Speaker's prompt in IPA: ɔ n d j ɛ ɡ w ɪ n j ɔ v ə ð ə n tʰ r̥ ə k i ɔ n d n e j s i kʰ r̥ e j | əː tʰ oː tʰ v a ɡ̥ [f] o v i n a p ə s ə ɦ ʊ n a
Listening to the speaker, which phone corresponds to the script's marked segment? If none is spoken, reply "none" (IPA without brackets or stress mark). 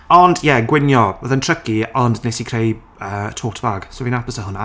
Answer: s